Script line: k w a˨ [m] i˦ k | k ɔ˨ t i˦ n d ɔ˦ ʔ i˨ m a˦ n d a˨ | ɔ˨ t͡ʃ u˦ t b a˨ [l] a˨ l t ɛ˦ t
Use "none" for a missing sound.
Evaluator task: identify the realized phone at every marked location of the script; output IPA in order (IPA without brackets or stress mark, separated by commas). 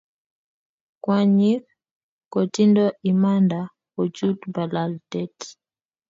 ɲ, l